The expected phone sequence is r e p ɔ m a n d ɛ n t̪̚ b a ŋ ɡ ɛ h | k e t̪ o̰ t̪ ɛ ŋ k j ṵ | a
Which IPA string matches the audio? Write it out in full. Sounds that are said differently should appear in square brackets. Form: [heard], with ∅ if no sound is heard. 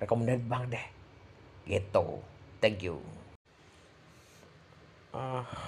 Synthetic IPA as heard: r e [k] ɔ m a n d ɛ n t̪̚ b a ŋ [d] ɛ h | [ɡ] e t̪ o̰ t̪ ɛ ŋ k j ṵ | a